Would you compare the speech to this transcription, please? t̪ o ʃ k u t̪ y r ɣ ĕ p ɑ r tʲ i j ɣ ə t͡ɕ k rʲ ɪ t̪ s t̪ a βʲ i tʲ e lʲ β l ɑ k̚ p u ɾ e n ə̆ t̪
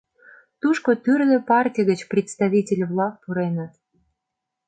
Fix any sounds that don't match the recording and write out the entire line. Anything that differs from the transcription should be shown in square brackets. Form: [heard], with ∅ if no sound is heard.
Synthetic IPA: t̪ [u] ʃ k [o] t̪ y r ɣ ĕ p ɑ r tʲ i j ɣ ə t͡ɕ [p] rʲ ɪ t̪ s t̪ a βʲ i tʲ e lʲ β l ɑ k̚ p u ɾ e n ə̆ t̪